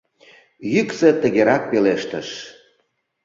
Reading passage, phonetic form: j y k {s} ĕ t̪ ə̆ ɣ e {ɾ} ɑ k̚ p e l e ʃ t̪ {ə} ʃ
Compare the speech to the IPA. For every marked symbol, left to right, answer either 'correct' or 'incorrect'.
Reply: correct, correct, correct

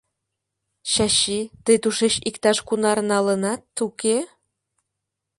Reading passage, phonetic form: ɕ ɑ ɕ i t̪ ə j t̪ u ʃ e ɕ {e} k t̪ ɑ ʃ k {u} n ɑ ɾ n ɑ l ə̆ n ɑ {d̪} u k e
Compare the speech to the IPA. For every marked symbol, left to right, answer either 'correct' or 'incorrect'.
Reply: incorrect: i, correct, incorrect: t̪

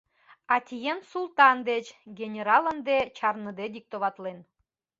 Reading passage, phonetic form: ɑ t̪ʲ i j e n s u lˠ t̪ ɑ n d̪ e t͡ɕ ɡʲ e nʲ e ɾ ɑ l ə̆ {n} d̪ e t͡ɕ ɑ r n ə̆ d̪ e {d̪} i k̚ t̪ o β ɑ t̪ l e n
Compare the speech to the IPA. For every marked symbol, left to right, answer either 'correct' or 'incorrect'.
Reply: correct, correct

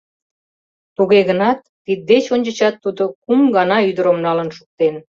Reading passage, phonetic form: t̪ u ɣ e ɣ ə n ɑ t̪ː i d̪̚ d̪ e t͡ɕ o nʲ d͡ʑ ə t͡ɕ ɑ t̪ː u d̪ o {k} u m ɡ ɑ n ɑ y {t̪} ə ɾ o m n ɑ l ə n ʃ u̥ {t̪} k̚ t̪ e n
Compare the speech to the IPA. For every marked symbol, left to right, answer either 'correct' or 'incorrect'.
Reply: correct, incorrect: d̪, incorrect: none

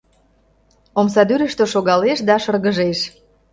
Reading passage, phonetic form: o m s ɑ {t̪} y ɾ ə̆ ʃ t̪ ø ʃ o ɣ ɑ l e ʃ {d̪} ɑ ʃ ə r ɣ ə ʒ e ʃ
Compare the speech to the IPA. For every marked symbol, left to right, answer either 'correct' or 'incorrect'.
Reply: incorrect: d̪, correct

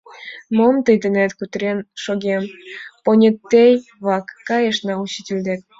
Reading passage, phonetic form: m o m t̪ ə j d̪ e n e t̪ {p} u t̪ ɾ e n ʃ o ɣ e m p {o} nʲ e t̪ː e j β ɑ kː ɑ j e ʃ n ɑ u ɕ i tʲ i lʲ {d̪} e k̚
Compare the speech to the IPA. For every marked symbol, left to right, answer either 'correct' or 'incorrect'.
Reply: incorrect: k, correct, correct

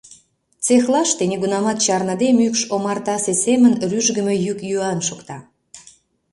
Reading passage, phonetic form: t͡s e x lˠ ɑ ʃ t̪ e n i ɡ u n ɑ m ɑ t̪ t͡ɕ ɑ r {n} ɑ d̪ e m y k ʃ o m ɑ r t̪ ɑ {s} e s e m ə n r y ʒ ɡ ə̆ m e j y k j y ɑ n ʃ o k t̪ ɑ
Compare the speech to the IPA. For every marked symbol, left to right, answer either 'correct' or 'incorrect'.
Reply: correct, correct

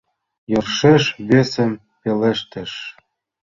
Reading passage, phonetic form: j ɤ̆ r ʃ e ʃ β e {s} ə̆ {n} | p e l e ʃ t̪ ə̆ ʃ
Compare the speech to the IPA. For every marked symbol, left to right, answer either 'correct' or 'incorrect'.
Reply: correct, incorrect: m

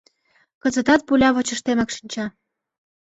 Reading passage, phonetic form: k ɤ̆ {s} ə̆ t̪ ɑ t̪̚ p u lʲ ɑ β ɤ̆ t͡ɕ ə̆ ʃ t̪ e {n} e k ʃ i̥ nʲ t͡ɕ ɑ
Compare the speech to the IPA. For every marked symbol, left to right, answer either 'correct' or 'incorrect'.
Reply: incorrect: z, incorrect: m

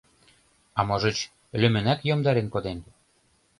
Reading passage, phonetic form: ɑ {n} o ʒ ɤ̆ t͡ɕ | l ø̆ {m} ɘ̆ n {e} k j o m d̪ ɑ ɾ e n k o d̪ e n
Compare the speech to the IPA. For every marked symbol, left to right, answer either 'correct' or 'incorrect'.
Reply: incorrect: m, correct, incorrect: æ

